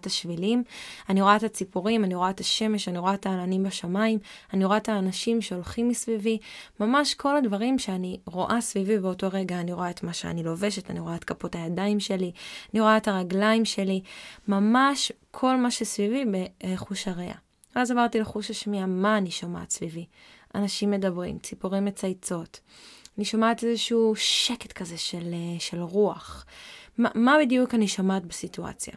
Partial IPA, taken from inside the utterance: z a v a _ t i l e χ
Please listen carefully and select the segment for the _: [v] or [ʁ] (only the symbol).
ʁ